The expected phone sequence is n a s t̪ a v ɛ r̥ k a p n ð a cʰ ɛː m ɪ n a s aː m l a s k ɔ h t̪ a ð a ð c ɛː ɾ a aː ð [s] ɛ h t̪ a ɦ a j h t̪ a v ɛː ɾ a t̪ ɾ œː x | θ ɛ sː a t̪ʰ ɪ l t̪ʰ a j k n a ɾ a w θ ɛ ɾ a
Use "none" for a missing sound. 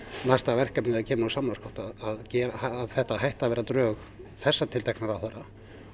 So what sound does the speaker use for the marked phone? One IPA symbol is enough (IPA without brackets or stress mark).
θ